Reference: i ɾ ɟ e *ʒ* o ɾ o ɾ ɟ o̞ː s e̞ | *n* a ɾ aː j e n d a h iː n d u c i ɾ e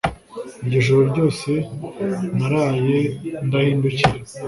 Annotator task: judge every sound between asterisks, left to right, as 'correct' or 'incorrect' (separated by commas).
correct, correct